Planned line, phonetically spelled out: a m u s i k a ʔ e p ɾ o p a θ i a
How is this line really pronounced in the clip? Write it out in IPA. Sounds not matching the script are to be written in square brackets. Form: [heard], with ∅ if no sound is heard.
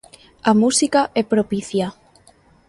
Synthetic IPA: a m u s i k a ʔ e p ɾ o p [i] θ [j] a